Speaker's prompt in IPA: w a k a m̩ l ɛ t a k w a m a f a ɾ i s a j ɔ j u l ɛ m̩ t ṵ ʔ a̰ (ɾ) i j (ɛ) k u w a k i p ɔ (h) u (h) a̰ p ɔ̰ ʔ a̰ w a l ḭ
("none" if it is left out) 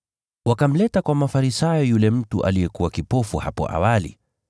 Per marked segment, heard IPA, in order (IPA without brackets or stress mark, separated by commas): l, ɛ, f, h